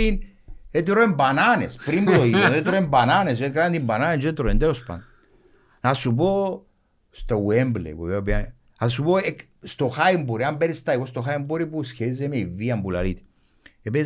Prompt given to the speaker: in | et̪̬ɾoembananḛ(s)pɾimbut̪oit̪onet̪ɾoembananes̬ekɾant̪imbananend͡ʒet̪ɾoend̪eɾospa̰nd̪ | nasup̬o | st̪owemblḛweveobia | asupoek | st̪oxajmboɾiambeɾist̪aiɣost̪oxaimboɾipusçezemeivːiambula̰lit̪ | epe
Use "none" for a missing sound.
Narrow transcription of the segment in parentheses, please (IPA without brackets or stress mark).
s